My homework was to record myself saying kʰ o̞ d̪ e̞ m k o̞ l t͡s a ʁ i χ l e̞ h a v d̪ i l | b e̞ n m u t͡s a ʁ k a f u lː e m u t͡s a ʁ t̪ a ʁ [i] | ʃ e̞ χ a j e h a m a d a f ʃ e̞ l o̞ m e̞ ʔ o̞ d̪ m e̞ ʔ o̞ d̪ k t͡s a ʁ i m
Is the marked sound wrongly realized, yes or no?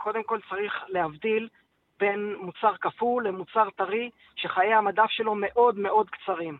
no